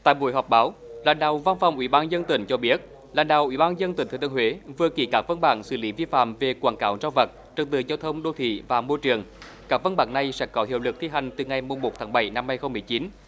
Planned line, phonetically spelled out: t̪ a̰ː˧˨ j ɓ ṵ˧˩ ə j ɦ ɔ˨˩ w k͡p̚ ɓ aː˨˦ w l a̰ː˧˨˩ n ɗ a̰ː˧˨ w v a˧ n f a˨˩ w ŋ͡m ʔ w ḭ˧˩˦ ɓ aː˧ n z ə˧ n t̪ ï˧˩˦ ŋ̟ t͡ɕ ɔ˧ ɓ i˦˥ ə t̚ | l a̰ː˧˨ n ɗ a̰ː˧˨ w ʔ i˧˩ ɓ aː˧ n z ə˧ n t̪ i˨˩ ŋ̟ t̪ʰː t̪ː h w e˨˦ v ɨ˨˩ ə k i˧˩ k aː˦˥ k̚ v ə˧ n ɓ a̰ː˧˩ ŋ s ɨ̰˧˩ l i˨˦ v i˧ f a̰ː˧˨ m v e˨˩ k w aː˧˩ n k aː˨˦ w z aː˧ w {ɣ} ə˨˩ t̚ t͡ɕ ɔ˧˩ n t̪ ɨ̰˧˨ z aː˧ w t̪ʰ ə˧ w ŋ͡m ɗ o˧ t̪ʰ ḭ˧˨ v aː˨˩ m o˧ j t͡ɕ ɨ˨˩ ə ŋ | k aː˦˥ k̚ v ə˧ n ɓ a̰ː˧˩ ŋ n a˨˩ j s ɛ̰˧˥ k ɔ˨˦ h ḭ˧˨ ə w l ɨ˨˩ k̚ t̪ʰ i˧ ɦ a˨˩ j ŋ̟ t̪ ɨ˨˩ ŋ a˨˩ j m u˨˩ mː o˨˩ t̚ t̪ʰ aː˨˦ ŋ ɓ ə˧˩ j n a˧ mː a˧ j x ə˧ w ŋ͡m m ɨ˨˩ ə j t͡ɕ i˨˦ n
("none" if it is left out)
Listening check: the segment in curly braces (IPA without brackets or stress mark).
v